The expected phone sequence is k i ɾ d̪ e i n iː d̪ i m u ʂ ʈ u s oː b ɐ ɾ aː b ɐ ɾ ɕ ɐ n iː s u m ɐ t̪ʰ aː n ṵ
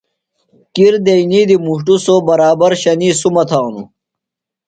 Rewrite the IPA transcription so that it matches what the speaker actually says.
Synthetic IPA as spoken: k i ɾ d̪ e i n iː d̪ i m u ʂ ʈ u s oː b ɐ ɾ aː b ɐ ɾ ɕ ɐ n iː s u m ɐ t̪ʰ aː n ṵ